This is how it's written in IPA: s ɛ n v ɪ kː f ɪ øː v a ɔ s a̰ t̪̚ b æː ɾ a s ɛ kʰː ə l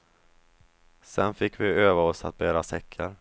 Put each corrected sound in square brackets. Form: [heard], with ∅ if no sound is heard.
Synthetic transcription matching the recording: s ɛ n [f] ɪ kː [v] ɪ øː v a ɔ s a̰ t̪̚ b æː ɾ a s ɛ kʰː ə [ɾ]